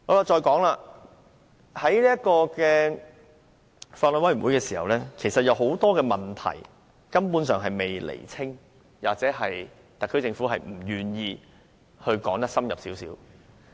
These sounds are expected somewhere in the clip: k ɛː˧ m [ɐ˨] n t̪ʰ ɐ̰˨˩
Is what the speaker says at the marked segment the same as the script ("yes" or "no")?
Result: yes